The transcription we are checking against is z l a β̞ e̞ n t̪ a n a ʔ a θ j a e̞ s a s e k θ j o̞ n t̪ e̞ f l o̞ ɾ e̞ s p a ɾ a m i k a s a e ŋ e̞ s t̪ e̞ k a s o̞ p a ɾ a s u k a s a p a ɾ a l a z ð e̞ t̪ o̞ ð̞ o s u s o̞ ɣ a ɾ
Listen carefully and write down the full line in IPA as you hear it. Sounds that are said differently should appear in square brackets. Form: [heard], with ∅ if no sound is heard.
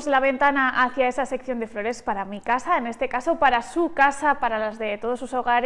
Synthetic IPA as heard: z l a β̞ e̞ n t̪ a n a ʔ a θ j a e̞ s a s e k θ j o̞ n [d̪] e̞ f l o̞ ɾ e̞ s p a ɾ a m i k a s a e [n] e̞ s t̪ e̞ k a s o̞ p a ɾ a s u k a s a p a ɾ a l a z ð e̞ t̪ o̞ ð̞ o s u s o̞ ɣ a ɾ